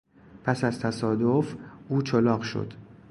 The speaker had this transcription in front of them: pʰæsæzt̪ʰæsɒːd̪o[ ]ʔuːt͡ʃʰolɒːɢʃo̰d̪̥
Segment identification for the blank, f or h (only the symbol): f